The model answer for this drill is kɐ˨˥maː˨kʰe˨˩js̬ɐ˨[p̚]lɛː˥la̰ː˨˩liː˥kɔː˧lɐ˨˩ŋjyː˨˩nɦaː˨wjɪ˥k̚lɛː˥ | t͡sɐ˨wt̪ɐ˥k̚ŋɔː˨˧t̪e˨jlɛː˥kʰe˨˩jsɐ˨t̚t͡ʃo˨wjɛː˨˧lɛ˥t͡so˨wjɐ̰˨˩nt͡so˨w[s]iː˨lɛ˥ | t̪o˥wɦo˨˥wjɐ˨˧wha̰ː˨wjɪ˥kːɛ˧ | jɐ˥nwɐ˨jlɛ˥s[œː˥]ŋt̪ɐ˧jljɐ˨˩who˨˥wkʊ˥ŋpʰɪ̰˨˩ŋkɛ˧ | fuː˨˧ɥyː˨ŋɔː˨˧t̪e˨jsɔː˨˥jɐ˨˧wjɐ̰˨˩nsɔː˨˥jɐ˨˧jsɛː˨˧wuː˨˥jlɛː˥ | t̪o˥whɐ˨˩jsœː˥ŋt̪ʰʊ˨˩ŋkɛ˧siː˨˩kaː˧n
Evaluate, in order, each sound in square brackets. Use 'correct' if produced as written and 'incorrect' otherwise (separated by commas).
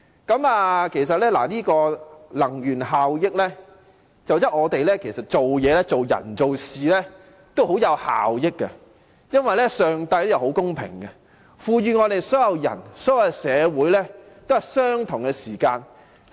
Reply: incorrect, correct, incorrect